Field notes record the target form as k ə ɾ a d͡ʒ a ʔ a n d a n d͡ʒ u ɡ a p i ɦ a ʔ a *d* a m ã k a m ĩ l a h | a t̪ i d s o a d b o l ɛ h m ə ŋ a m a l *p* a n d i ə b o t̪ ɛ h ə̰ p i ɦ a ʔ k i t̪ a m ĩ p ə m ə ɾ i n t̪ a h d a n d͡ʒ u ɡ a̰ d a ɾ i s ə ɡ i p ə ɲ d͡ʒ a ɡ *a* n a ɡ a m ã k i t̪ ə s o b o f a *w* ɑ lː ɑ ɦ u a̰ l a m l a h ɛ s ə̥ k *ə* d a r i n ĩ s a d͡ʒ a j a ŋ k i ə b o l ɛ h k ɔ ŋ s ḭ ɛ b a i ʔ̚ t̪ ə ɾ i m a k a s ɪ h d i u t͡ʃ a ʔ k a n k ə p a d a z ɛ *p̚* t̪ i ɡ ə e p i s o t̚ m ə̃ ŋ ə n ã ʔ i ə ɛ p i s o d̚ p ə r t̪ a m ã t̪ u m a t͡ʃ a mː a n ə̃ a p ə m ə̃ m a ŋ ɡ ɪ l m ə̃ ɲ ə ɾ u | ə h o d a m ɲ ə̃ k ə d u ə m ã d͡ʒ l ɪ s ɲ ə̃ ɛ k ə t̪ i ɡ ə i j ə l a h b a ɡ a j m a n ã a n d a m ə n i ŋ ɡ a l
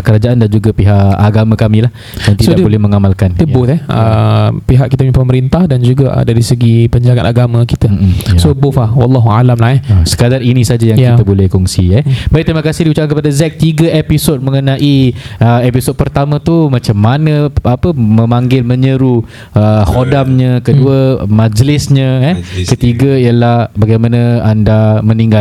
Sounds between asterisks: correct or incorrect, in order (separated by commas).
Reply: incorrect, incorrect, correct, correct, incorrect, incorrect